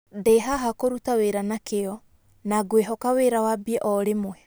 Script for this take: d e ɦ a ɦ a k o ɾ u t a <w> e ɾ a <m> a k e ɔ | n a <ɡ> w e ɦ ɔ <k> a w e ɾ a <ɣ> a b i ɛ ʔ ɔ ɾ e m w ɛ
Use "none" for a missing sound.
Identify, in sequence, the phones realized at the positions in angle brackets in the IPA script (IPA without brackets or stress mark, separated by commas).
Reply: w, n, ɡ, k, w